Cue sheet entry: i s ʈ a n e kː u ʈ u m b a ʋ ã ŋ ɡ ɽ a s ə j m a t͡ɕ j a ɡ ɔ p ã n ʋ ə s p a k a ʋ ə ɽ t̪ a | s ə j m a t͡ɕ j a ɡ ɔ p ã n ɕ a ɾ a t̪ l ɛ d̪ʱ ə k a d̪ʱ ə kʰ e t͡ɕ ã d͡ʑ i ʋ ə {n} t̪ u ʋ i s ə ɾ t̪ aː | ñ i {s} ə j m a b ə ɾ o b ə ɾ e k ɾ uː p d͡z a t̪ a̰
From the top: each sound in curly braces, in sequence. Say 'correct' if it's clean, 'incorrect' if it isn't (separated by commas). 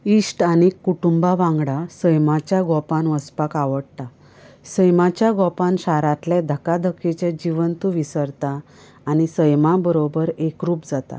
correct, correct